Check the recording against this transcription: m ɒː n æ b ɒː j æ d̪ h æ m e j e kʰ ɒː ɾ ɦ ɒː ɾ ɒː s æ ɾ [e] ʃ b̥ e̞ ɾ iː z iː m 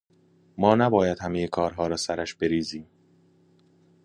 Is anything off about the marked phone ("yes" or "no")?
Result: yes